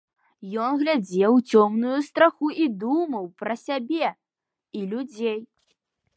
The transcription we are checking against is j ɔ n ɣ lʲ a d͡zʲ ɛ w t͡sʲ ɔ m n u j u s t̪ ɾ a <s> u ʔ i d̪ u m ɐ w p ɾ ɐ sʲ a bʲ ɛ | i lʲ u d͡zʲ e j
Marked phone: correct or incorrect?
incorrect